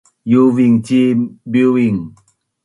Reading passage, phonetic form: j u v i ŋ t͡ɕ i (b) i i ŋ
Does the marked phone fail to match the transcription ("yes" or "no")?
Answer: no